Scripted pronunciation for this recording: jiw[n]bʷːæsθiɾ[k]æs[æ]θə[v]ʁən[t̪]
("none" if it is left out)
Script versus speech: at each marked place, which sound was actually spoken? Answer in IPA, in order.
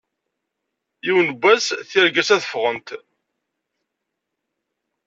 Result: n, ɡ, æ, f, t̪

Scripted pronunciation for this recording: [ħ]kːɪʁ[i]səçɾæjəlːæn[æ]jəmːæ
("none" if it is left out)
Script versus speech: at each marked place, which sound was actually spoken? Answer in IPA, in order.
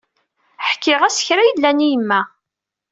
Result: ħ, æ, i

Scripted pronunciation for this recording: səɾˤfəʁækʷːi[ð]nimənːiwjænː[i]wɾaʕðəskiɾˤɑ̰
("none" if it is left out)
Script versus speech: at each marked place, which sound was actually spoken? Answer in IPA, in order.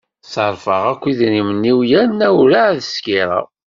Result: ð, æ

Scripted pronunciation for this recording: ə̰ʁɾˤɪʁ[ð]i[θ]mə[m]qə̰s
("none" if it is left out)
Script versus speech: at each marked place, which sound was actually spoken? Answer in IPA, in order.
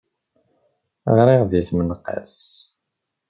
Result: ð, θ, n

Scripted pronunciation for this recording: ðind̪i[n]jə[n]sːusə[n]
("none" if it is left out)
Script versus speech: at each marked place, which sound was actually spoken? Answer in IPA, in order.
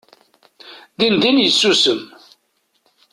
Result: n, none, m

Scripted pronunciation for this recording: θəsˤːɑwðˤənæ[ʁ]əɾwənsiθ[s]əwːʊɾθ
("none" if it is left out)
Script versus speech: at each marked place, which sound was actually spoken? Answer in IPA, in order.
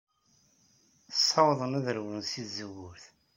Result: ð, z

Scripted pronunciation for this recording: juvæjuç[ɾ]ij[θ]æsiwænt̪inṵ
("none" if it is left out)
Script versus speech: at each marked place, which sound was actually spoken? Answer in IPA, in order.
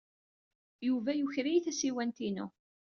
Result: ɾ, θ

